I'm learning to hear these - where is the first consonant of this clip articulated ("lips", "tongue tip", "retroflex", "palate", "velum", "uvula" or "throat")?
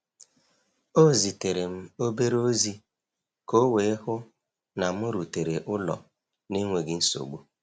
tongue tip